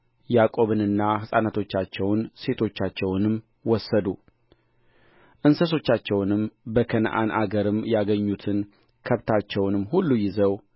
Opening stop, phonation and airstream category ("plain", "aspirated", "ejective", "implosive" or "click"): ejective